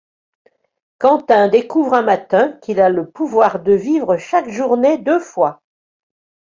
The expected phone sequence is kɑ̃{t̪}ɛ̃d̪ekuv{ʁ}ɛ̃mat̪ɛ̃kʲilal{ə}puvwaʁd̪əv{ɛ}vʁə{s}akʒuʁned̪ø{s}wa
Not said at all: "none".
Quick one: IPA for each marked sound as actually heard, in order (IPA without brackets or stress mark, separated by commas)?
t̪, ʁ, ə, i, ʃ, f